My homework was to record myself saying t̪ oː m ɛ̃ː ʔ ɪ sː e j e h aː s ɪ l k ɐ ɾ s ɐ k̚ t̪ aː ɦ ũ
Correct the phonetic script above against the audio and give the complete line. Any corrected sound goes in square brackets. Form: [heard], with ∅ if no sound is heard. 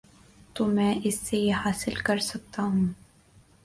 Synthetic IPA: t̪ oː m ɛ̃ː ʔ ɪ sː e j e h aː s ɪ l k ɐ ɾ s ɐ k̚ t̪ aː ɦ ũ